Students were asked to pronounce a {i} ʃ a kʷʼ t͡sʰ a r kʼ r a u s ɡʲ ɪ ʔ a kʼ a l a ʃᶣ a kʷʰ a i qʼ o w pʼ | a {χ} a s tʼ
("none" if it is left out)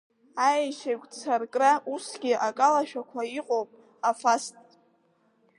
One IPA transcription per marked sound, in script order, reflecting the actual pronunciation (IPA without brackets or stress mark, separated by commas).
j, f